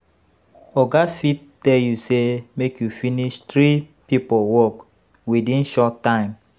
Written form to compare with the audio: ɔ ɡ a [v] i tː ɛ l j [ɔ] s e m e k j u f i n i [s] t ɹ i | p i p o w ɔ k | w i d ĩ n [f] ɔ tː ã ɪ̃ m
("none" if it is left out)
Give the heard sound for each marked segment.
f, u, ʃ, ʃ

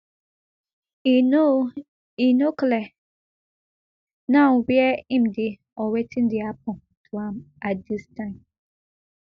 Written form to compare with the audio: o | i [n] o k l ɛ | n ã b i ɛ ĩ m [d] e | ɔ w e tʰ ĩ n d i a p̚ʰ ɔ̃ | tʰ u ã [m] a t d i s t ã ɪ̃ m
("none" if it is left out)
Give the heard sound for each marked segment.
n, d, m

